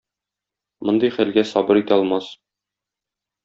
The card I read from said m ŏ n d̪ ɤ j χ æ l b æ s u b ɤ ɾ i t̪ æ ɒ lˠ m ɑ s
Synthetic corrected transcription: m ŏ n d̪ ɤ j χ æ l ɡ æ s ɒ b ɤ ɾ i t̪ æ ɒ lˠ m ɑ s